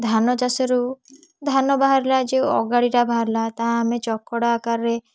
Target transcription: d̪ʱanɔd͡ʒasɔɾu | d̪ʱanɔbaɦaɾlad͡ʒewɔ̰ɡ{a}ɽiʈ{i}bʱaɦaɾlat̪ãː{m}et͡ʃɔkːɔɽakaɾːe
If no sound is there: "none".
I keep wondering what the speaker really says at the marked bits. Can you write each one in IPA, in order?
a, a, m

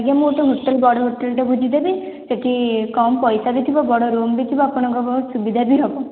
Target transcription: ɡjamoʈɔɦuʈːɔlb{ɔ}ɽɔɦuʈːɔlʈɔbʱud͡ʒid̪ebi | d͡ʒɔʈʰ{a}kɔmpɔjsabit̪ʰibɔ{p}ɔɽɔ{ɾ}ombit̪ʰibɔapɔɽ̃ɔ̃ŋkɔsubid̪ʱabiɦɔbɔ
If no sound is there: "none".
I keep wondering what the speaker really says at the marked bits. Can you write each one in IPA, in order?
ɔ, i, b, ɾ

